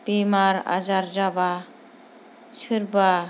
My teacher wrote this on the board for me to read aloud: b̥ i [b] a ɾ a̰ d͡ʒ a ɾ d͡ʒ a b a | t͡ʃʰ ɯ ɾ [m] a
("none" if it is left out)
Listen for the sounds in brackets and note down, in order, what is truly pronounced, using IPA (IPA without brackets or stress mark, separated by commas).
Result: m, b